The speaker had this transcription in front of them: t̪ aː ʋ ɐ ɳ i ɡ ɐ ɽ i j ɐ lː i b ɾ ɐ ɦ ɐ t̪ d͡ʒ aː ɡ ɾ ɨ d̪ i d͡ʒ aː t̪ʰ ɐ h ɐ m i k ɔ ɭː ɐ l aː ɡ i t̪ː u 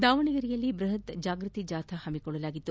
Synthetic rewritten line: d̪ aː ʋ ɐ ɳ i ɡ ɐ ɾ i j ɐ lː i b ɾ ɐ ɦ ɐ t̪ d͡ʒ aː ɡ ɾ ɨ t̪ i d͡ʒ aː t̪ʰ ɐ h ɐ m i k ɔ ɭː ɐ l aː ɡ i t̪ː u